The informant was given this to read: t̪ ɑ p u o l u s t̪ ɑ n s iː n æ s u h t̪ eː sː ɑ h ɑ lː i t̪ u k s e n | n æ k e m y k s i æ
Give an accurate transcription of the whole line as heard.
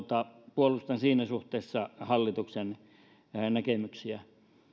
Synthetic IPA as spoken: t̪ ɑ p u o l u s t̪ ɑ n s iː n æ s u h t̪ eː sː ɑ h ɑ lː i t̪ u k s e n | n æ k e m y k s i æ